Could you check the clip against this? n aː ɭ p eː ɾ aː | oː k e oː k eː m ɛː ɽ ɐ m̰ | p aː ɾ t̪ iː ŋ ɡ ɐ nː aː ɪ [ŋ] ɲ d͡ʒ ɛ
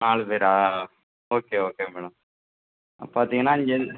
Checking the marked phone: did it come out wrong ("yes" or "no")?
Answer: yes